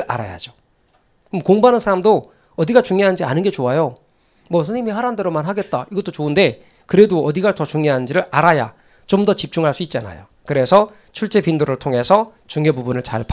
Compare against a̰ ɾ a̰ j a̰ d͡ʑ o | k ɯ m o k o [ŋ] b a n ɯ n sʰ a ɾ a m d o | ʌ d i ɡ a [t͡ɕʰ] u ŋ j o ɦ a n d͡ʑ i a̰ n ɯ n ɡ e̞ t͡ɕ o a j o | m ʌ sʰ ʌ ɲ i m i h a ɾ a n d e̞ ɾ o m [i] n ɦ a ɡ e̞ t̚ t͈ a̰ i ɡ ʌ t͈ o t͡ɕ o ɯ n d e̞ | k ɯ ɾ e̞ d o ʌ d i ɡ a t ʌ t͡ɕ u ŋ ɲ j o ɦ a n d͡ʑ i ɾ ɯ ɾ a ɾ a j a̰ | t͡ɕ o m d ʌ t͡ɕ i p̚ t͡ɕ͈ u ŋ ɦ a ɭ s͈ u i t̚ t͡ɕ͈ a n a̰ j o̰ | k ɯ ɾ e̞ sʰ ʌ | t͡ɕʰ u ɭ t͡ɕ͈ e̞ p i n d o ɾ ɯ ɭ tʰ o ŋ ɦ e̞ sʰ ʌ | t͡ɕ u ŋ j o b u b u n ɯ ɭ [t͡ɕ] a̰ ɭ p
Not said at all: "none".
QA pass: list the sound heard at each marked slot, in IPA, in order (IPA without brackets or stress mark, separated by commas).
ŋ, t͡ɕ, a, t͡ɕ